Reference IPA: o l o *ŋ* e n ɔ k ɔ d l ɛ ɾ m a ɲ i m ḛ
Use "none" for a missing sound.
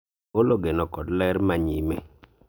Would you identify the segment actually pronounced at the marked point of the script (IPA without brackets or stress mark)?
ɡ